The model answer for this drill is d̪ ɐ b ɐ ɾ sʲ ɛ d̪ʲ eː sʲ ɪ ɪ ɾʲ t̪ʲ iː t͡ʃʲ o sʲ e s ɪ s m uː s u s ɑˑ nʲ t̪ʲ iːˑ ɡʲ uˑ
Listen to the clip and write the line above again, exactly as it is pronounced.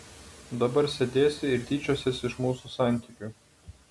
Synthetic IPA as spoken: d̪ ɐ b ɐ ɾ sʲ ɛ d̪ʲ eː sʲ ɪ ɪ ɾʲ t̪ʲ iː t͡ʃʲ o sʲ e s ɪ ʃ m uː s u s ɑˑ nʲ t̪ʲ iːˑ kʲ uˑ